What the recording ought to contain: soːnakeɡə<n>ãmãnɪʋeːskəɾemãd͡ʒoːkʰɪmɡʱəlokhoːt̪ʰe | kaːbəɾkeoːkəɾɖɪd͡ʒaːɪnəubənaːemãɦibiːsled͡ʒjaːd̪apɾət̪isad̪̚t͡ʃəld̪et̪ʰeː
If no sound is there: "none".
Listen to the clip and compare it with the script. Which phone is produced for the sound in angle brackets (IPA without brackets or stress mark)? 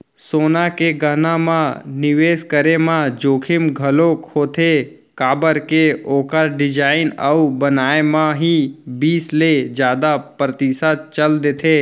n